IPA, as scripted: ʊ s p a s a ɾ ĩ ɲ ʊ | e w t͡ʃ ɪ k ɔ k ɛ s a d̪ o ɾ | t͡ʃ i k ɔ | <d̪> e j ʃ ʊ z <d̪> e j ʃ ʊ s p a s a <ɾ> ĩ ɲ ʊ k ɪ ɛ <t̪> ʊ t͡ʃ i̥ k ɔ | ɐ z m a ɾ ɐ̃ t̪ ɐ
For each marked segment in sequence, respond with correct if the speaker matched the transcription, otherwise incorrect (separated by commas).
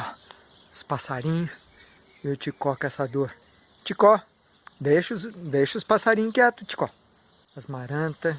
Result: correct, correct, correct, correct